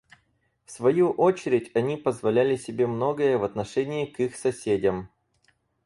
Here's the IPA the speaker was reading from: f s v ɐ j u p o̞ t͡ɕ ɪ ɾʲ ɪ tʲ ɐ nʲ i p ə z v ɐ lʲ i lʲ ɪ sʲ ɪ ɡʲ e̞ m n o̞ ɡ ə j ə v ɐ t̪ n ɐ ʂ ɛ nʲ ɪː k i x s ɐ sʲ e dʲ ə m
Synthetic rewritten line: f s v ɐ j u ʔ o̞ t͡ɕ ɪ ɾʲ ɪ tʲ ɐ nʲ i p ə z v ɐ lʲ æ lʲ ɪ sʲ ɪ bʲ e̞ m n o̞ ɡ ə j ə v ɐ t̪ n ɐ ʂ ɛ nʲ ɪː k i x s ɐ sʲ e dʲ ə m